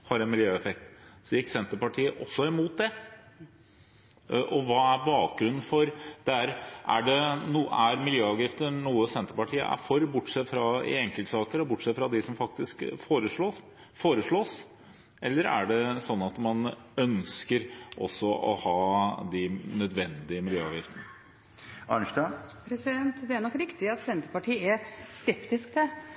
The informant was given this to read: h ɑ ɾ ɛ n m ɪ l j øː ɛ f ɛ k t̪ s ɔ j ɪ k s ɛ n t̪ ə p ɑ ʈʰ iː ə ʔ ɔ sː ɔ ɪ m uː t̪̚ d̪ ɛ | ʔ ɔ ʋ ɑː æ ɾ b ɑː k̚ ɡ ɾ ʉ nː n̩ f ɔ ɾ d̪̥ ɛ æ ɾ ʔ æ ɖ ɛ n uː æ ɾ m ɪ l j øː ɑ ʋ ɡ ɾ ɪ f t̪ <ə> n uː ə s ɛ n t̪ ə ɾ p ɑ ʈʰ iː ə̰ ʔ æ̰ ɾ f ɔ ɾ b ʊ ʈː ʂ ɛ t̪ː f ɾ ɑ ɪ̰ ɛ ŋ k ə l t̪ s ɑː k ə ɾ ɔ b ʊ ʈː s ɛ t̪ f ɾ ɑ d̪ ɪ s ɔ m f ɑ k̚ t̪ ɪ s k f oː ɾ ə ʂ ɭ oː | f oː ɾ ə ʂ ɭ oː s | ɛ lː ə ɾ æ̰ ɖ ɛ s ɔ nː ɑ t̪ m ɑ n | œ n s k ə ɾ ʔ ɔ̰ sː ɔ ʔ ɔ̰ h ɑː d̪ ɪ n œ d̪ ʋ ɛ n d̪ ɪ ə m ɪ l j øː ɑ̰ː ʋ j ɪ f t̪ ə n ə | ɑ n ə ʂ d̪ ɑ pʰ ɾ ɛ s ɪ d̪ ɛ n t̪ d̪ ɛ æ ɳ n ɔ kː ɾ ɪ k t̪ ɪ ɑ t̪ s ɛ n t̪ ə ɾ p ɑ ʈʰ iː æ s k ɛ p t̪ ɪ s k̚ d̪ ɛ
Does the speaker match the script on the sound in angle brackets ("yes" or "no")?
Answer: yes